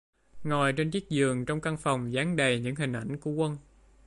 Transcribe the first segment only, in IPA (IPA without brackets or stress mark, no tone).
ŋ